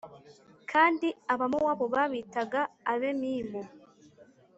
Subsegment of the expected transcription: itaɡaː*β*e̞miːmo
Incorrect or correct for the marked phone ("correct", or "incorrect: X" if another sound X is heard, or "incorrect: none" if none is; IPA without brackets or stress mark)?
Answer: correct